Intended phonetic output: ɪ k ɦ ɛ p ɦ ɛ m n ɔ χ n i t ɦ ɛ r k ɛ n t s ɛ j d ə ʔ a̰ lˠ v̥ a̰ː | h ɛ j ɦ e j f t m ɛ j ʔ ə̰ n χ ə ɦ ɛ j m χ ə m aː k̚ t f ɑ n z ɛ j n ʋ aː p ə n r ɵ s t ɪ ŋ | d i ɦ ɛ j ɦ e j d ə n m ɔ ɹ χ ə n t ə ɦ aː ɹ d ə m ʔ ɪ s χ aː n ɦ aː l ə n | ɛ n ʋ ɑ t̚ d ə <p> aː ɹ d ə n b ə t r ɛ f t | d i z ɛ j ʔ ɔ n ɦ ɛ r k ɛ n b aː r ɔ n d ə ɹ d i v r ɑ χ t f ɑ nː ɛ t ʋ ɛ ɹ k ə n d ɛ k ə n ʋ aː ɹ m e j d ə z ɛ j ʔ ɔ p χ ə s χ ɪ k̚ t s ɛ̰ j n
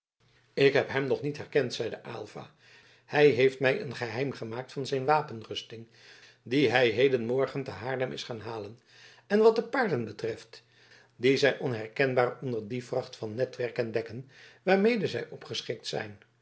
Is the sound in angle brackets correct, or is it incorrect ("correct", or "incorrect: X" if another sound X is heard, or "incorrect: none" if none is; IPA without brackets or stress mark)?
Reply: correct